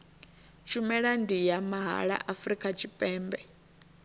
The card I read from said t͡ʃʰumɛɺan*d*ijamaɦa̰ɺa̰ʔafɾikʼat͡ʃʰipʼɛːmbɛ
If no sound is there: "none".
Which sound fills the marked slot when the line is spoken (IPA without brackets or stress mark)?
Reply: d